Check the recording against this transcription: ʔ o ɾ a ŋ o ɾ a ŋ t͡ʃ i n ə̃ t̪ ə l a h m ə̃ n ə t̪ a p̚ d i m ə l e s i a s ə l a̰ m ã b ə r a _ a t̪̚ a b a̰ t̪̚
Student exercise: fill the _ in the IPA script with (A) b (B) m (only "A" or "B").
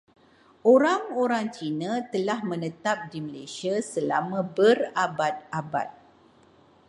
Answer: A